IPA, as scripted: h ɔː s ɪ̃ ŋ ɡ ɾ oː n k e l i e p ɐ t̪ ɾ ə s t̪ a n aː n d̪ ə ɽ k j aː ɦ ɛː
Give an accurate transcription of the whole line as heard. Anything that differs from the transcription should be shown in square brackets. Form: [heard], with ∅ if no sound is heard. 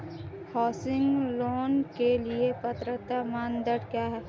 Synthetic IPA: h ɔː s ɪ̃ ŋ ɡ [l] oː n k e l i e p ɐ t̪ ɾ ə [∅] t̪ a [m] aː n d̪ ə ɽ k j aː ɦ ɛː

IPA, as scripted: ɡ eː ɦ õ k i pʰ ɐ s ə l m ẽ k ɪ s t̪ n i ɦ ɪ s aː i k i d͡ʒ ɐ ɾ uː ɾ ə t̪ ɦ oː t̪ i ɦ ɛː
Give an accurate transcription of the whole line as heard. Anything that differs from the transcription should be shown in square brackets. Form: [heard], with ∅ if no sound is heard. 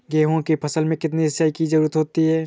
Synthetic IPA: ɡ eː ɦ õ k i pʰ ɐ s ə l m ẽ k ɪ [∅] t̪ n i ɦ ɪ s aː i k i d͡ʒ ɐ ɾ uː ɾ ə t̪ ɦ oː t̪ i ɦ ɛː

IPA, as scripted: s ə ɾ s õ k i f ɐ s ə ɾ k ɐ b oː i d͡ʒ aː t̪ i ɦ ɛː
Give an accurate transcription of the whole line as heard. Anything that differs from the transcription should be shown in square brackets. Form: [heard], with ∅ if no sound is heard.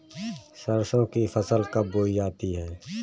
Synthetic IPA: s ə ɾ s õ k i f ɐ s ə [l] k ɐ b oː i d͡ʒ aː t̪ i ɦ ɛː

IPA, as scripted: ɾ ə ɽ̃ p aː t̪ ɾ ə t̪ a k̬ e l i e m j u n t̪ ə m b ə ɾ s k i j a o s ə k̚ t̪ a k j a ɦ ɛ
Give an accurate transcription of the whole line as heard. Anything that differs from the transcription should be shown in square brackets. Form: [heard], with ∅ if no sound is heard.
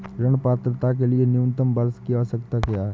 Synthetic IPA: ɾ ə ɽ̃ p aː t̪ ɾ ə t̪ a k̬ e l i e [n] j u n t̪ ə m b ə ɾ s k i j a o s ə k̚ t̪ a k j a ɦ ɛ

